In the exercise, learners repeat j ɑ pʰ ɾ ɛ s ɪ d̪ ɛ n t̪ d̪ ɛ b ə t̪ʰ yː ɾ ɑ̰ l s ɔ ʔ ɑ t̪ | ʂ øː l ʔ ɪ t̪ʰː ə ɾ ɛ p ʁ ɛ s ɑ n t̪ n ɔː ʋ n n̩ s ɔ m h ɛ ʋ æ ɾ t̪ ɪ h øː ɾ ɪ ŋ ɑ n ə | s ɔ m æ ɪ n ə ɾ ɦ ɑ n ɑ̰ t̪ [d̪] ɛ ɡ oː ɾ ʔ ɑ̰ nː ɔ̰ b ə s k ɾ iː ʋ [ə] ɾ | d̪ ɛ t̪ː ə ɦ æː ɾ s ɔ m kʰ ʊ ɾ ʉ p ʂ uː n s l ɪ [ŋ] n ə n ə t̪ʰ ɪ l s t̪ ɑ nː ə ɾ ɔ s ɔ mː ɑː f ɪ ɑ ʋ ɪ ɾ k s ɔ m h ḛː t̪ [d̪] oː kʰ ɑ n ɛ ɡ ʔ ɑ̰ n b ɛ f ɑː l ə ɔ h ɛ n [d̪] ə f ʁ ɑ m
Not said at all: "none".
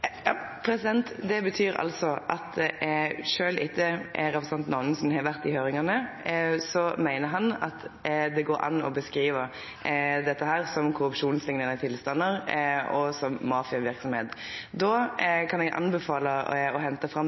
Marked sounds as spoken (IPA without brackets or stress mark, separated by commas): d̪, ə, ŋ, d̪, t̪